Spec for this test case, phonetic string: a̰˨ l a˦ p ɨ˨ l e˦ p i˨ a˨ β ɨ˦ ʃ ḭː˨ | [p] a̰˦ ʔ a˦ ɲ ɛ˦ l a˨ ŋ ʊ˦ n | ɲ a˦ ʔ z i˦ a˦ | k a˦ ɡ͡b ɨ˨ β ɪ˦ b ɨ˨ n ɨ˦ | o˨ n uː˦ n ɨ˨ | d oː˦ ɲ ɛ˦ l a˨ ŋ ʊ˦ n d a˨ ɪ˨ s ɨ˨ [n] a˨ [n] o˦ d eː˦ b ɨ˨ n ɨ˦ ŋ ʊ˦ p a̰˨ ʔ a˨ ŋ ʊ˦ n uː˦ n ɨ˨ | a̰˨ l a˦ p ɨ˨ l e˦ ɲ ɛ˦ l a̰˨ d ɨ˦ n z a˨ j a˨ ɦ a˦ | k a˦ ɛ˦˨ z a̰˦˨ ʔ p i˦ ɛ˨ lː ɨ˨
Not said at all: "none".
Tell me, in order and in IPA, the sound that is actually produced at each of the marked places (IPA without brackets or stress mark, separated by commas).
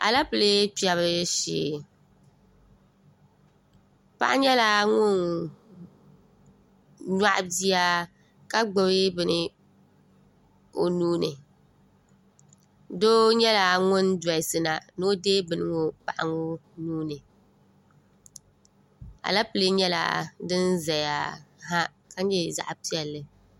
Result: p, n, n